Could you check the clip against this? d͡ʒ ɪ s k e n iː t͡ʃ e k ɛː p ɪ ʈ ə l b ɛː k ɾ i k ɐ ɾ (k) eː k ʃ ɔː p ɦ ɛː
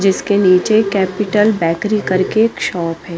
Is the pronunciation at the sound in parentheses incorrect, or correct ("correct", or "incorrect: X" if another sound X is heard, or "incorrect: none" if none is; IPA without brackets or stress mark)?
correct